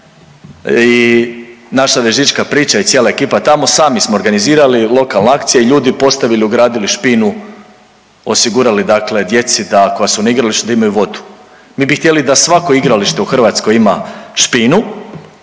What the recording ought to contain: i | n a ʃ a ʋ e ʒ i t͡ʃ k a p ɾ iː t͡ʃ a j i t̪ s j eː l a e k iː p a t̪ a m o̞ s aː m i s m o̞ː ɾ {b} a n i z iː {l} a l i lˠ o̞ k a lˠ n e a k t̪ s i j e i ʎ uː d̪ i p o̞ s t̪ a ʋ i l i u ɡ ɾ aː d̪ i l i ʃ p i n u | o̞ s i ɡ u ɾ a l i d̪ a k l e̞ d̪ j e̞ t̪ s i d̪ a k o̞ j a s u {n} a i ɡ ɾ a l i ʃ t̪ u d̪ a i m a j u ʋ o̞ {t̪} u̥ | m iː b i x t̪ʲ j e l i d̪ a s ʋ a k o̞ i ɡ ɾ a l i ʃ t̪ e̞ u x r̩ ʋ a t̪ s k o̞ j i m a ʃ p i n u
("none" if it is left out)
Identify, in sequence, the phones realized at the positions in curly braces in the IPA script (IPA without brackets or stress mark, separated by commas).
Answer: ɡ, ɾ, n, d̪